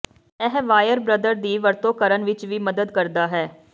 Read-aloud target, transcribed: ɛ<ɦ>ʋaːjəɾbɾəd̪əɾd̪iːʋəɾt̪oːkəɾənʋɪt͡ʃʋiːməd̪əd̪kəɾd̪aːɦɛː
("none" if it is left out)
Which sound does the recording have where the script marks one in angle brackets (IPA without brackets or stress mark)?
ɦ